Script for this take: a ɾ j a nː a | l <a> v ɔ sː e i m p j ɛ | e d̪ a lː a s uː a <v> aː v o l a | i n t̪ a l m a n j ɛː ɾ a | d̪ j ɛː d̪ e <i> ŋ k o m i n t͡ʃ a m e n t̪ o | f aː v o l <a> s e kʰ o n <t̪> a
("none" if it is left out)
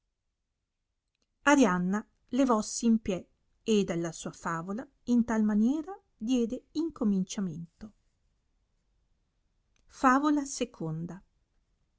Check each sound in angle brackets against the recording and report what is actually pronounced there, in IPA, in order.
e, f, i, a, d̪

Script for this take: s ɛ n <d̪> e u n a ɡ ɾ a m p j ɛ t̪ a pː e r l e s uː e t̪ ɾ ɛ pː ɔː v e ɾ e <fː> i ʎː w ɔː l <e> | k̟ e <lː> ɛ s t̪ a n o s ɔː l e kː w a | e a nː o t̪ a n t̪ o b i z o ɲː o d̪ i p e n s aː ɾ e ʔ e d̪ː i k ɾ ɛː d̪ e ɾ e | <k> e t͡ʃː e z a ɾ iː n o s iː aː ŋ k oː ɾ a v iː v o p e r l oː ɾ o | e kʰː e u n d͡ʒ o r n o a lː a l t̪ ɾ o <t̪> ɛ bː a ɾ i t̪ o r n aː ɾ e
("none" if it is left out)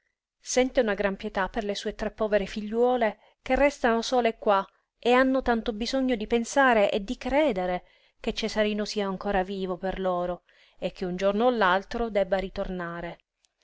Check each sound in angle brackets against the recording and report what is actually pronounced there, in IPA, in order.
t̪, f, e, rː, k, d̪

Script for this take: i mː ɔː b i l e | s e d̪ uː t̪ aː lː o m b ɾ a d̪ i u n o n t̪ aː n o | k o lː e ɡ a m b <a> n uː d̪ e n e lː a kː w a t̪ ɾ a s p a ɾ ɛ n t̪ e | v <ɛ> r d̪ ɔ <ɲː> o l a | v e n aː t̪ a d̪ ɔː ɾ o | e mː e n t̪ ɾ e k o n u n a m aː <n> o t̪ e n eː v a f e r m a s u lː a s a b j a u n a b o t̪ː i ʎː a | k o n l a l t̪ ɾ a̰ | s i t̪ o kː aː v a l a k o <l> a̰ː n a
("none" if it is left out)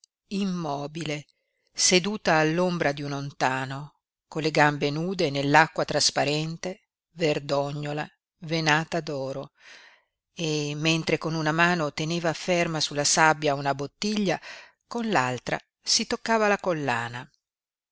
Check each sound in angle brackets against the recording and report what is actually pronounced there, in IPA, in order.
e, e, ɲː, n, lː

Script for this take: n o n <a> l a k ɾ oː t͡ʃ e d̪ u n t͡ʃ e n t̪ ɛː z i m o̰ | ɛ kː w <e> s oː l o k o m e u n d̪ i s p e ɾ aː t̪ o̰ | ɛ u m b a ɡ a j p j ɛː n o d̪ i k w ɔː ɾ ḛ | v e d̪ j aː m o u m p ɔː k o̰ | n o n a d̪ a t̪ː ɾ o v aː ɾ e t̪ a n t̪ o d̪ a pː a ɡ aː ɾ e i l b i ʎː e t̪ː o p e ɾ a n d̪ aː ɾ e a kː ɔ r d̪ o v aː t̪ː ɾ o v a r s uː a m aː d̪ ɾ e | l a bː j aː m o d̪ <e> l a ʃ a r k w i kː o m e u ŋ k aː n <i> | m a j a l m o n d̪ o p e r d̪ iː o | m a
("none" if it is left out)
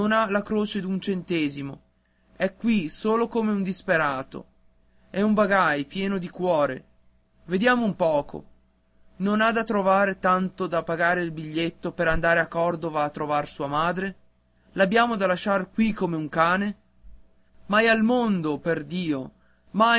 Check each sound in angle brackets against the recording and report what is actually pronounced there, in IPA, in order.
a, i, a, e

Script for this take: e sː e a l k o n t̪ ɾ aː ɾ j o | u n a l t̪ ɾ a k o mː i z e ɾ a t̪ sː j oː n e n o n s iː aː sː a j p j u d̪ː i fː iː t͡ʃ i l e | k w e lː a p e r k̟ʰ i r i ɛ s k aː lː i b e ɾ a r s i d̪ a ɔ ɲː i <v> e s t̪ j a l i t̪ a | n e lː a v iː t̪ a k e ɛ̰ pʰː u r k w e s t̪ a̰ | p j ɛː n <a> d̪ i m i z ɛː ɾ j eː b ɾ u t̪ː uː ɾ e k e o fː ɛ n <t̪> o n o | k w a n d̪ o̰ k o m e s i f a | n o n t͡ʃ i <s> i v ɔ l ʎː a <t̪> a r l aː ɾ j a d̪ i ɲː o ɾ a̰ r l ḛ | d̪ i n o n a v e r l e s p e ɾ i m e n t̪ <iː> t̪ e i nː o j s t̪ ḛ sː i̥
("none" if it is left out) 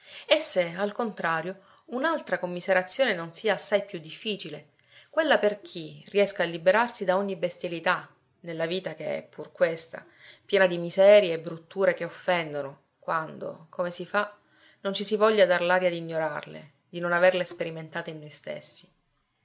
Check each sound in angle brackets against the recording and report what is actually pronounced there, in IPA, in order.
b, a, d̪, s, d̪, aː

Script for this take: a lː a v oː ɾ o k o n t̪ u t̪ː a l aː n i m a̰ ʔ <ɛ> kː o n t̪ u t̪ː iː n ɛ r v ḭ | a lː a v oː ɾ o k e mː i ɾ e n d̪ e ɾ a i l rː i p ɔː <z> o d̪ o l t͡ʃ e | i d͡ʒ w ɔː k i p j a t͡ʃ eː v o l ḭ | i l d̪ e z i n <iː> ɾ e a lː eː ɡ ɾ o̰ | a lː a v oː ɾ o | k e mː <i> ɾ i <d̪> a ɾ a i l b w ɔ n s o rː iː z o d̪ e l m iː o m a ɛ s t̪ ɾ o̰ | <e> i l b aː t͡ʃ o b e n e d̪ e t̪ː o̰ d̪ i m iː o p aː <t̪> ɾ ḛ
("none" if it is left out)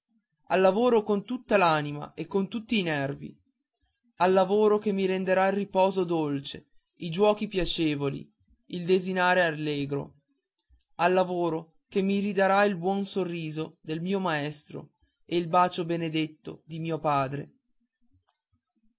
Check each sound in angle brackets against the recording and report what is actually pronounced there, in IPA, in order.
e, z, aː, i, d̪, e, d̪

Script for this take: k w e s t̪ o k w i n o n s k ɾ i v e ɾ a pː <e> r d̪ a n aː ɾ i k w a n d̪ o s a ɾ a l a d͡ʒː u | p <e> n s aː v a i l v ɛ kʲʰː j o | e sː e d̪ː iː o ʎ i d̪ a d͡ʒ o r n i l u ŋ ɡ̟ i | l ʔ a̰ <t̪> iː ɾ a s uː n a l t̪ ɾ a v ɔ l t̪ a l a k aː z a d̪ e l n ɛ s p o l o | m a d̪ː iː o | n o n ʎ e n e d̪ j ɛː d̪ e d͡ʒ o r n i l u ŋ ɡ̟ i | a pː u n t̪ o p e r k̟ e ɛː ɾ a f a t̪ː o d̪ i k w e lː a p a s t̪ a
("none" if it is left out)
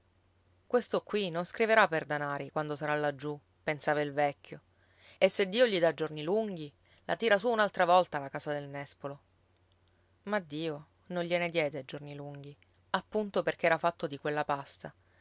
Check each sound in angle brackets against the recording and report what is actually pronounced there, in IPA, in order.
e, e, t̪

